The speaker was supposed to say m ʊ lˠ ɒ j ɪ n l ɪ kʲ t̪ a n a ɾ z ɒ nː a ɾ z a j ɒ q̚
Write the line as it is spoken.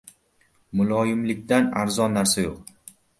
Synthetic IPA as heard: m ʊ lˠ ɒ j ɪ m l ɪ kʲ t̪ a n a ɾ z ɒ nː a ɾ s a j o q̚